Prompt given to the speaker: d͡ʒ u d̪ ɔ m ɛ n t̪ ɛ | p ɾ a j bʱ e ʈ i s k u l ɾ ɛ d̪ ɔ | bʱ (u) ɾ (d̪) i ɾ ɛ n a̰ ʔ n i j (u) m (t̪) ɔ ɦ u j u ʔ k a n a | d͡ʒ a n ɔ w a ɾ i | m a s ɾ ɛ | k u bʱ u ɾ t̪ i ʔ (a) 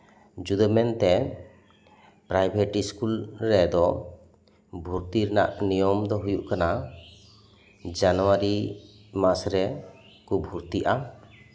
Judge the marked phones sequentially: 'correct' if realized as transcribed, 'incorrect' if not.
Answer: correct, incorrect: t̪, incorrect: ɔ, incorrect: d̪, correct

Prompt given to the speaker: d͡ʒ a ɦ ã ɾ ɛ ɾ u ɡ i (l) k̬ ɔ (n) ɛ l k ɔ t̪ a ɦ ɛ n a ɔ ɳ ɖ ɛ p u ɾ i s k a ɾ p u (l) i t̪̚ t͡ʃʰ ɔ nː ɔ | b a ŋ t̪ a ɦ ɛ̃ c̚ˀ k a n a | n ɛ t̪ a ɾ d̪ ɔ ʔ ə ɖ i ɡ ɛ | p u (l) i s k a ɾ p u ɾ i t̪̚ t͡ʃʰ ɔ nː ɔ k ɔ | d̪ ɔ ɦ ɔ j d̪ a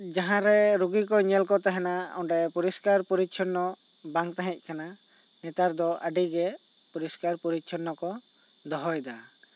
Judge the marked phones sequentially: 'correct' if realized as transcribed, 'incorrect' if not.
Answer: incorrect: none, incorrect: ɲ, incorrect: ɾ, incorrect: ɾ

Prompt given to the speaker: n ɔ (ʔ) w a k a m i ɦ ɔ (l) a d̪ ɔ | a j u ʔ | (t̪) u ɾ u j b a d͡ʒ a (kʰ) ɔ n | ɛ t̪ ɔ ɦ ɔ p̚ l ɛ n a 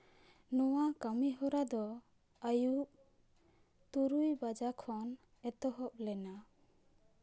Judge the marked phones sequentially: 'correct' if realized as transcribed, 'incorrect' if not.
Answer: incorrect: none, incorrect: ɾ, correct, correct

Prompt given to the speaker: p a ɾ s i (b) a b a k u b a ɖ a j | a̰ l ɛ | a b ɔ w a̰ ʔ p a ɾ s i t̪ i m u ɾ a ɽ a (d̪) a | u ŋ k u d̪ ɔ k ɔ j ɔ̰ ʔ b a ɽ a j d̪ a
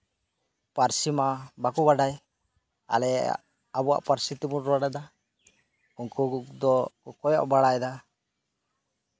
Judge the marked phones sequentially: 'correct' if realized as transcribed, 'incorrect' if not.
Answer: incorrect: m, correct

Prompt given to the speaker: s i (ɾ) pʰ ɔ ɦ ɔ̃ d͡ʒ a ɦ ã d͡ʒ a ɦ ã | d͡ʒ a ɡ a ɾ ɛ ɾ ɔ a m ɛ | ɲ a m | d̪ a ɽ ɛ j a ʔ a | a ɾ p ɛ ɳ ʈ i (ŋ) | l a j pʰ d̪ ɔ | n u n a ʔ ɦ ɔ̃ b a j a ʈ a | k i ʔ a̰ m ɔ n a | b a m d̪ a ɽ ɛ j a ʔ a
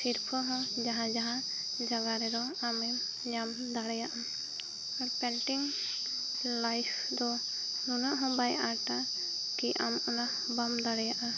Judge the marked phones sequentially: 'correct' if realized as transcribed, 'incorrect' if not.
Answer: correct, correct

